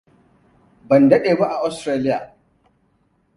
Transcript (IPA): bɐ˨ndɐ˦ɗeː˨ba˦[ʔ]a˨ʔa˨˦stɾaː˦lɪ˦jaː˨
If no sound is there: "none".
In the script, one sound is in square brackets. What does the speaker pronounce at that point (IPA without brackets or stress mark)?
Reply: ʔ